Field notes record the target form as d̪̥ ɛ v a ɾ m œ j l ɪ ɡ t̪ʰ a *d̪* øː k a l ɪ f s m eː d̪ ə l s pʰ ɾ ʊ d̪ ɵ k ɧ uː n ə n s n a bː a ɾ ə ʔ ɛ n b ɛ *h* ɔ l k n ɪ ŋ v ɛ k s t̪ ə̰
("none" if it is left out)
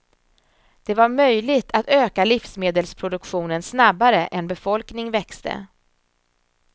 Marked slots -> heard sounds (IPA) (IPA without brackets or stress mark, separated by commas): t̪, f